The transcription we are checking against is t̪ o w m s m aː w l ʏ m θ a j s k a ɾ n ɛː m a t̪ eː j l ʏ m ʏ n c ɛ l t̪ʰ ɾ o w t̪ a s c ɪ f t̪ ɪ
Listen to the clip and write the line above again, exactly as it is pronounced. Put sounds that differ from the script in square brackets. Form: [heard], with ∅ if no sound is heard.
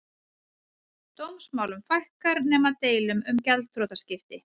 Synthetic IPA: t̪ o w m s m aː w l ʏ m [f] a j [h] k a ɾ n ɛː m a t̪ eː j l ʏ m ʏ [m] c ɛ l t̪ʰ ɾ o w t̪ a s c ɪ f t̪ ɪ

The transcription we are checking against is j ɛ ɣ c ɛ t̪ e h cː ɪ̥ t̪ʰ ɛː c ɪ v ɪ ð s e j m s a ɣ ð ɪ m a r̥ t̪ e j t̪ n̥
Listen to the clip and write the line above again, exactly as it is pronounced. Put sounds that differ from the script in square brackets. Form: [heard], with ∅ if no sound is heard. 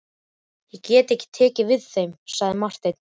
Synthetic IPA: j ɛ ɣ c [ɛː] t̪ e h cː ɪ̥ t̪ʰ ɛː c ɪ v ɪ ð [θ] e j m s a ɣ ð ɪ m a r̥ t̪ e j t̪ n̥

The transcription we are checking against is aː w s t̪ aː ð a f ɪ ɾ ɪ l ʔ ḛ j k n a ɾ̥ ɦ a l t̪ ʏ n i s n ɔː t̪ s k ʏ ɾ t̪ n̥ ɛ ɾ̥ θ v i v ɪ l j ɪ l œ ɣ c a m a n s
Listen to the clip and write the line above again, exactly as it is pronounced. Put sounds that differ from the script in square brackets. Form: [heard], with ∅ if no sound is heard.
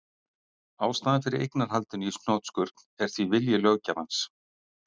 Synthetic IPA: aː w s t̪ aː ð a f ɪ ɾ ɪ [ɾ] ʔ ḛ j k n a ɾ̥ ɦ a l t̪ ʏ n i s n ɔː t̪ s k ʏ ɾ t̪ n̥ ɛ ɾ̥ θ v i v ɪ l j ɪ l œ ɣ c a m a n s

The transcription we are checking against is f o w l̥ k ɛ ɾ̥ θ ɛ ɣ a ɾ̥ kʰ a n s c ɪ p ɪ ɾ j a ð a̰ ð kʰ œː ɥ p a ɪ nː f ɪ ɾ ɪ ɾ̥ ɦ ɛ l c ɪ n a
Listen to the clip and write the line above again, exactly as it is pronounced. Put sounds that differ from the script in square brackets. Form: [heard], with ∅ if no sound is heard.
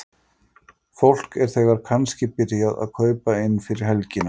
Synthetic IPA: f o w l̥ k ɛ ɾ̥ θ ɛ ɣ a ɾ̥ kʰ a n s c ɪ p ɪ ɾ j a ð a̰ ð kʰ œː ɥ p a ɪ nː f ɪ ɾ ɪ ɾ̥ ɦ ɛ l c ɪ n a

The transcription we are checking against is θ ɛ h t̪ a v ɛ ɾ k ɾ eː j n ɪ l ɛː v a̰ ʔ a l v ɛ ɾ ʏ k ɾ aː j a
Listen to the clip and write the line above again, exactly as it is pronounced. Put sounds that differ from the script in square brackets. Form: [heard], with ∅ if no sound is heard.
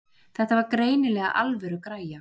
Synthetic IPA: θ ɛ h t̪ a v [a] ɾ k ɾ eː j n ɪ l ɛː [ɣ] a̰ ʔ a l v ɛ ɾ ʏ k ɾ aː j a

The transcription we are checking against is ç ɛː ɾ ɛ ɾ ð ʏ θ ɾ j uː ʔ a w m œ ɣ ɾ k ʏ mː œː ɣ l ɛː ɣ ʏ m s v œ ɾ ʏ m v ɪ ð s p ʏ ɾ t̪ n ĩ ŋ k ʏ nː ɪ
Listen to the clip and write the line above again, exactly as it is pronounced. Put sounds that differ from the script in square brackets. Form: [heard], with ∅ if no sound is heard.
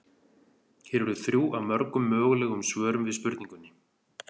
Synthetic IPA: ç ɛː ɾ ɛ ɾ ð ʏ θ ɾ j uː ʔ a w m œ [∅] ɾ k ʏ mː œː ɣ l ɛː ɣ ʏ m s v [œː] ɾ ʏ m v ɪ ð s p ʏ ɾ t̪ n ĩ ŋ k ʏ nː ɪ

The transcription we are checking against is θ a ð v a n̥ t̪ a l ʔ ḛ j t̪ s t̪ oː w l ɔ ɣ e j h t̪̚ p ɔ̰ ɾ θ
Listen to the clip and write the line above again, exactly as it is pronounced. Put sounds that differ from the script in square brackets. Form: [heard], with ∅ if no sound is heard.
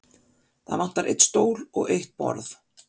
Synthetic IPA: θ a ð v a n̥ t̪ a [ɾ] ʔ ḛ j t̪ s t̪ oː w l ɔ ɣ e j h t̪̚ p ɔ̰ ɾ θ

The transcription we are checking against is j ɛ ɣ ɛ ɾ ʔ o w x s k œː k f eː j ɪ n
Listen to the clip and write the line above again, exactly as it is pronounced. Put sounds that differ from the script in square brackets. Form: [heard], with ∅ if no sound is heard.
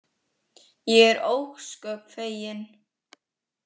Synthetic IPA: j ɛ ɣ ɛ ɾ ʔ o w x s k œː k f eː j ɪ n

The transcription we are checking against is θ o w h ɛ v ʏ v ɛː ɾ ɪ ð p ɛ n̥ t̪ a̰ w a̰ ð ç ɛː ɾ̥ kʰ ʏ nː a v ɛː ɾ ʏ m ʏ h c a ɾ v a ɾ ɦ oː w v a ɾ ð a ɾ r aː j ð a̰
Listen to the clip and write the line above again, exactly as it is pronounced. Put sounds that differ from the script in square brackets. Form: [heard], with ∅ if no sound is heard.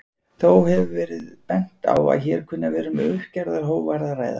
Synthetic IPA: θ o w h ɛ v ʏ v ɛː ɾ ɪ ð p ɛ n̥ t̪ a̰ w a̰ ð ç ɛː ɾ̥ kʰ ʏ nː a v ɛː ɾ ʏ m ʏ h c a ɾ [ð] a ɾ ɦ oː w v a ɾ ð a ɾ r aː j ð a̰

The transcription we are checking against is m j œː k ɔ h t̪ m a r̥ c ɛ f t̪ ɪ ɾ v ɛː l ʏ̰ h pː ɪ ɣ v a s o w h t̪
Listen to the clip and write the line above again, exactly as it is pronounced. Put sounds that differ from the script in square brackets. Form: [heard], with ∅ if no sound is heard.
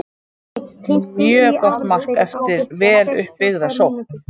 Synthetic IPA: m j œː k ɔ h t̪ m a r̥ [k] ɛ f t̪ ɪ ɾ v ɛː l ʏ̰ h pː ɪ ɣ [ð] a s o w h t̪

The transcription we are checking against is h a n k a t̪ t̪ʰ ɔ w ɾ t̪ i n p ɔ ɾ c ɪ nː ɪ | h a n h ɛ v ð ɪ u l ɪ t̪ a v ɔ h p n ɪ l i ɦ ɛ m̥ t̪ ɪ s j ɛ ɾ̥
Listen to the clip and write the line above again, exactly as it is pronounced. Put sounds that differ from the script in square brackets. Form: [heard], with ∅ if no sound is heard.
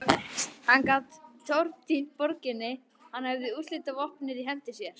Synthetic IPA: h a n k a t̪ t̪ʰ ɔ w ɾ t̪ i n p ɔ ɾ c ɪ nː ɪ | h a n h ɛ v ð ɪ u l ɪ t̪ a v ɔ h p n ɪ [ɾ] i ɦ ɛ m̥ t̪ ɪ s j ɛ ɾ̥

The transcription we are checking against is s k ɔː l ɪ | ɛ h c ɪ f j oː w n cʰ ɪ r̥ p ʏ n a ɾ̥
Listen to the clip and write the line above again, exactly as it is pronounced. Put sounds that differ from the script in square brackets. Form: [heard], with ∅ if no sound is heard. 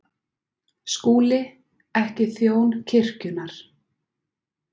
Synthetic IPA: s k [uː] l ɪ | ɛ h c ɪ [θ] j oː w n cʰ ɪ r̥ [c] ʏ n a ɾ̥

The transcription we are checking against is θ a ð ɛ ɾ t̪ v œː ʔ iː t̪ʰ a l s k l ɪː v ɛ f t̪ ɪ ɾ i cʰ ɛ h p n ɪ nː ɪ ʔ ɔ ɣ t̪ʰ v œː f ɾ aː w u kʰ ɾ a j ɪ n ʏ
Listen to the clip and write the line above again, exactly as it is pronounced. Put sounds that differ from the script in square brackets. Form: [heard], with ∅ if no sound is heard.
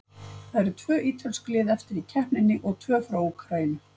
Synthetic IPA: θ a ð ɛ ɾ [t̪ʰ] v œː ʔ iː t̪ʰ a l s k l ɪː [ð] ɛ f t̪ ɪ ɾ i cʰ ɛ h p n ɪ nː ɪ ʔ ɔ ɣ t̪ʰ v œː f ɾ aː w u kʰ ɾ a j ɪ n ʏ

